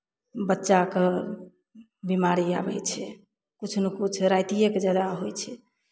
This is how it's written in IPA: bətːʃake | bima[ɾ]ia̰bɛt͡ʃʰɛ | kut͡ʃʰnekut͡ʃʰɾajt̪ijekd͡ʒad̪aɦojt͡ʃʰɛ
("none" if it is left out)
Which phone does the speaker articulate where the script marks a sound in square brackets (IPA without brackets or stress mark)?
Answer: ɾ